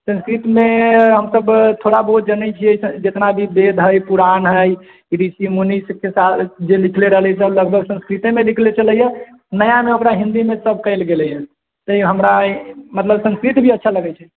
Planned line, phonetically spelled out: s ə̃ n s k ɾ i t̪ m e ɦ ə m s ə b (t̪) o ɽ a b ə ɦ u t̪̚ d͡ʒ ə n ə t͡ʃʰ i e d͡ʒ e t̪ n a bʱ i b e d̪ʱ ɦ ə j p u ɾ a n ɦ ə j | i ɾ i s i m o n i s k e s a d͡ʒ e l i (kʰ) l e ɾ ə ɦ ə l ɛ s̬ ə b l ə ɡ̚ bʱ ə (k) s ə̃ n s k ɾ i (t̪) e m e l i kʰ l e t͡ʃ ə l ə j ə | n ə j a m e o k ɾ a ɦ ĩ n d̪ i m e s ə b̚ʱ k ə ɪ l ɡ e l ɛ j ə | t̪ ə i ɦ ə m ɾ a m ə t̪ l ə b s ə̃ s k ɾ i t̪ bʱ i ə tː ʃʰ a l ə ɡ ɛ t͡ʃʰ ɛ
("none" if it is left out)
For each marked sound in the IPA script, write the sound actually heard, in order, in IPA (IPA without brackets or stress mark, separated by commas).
t̪ʰ, kʰ, ɡ, t̪